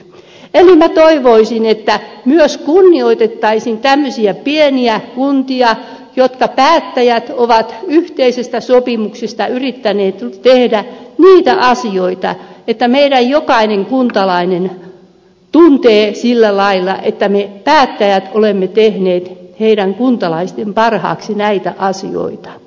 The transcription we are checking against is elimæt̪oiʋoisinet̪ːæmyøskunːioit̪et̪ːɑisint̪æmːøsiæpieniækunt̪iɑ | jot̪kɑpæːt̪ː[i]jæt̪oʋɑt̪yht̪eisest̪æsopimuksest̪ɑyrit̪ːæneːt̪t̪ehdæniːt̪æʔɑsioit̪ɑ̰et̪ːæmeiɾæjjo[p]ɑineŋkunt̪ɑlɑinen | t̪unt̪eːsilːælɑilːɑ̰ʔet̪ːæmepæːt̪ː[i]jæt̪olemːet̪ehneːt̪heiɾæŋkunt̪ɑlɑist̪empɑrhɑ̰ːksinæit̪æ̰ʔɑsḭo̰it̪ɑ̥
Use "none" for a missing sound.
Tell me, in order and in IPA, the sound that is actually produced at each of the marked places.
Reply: æ, k, æ

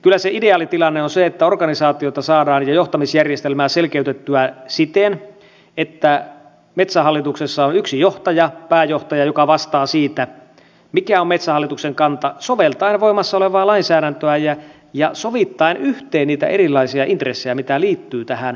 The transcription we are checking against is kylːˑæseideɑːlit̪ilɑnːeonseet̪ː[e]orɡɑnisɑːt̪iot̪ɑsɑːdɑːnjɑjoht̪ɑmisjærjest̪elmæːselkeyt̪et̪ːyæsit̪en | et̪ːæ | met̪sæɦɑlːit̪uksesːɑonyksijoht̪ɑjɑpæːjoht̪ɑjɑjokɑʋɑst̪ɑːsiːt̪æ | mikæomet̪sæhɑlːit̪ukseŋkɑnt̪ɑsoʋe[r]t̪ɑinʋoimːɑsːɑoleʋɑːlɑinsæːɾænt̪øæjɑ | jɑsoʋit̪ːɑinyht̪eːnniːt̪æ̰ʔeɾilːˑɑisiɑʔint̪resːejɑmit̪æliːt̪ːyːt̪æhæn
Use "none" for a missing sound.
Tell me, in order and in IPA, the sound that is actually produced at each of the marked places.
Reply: æ, l

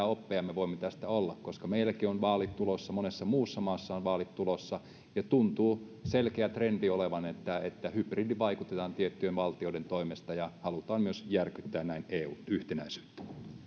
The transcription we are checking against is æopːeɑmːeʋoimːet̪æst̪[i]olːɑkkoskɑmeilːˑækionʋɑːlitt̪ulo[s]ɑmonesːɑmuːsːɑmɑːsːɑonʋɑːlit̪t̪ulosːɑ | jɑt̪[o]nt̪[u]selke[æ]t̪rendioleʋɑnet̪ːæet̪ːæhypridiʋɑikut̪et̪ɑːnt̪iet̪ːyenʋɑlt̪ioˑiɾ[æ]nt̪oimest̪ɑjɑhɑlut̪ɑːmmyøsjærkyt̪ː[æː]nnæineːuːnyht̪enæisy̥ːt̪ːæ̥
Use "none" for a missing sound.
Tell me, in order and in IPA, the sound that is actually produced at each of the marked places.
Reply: æ, sː, u, uː, æ, e, æː

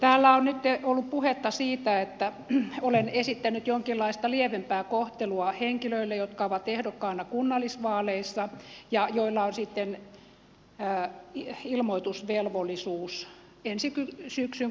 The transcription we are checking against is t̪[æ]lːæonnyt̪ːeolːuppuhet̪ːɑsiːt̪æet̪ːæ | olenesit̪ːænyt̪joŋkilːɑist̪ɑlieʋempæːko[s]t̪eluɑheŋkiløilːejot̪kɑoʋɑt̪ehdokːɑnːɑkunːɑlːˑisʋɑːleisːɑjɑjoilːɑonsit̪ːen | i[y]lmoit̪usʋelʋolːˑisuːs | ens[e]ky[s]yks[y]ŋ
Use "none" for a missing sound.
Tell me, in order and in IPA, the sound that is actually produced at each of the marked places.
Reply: æː, h, i, i, s, y

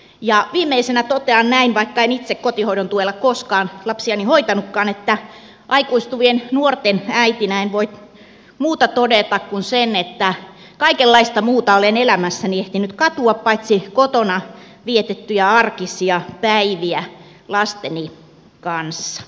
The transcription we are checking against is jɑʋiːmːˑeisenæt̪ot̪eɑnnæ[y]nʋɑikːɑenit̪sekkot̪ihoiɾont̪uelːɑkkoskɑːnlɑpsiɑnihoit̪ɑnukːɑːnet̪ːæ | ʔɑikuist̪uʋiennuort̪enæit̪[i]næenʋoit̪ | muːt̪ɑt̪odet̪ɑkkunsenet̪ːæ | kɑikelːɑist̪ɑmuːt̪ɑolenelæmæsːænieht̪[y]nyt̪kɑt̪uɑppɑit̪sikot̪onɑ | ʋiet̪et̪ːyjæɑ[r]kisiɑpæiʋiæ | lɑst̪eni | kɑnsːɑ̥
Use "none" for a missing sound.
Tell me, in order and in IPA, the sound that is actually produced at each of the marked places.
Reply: i, i, i, r

